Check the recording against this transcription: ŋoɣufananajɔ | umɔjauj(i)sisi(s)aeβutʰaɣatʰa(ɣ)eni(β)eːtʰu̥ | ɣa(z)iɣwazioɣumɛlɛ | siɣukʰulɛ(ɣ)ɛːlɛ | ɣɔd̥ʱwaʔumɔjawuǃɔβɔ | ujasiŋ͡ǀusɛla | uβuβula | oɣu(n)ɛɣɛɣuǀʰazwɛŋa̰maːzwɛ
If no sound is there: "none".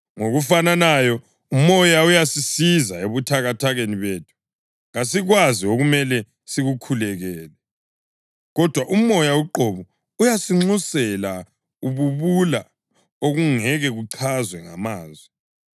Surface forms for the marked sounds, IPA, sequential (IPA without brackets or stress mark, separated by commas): a, z, ɣ, β, s, ɣ, ŋ